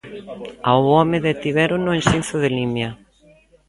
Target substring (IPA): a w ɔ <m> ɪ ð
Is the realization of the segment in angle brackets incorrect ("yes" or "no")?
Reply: no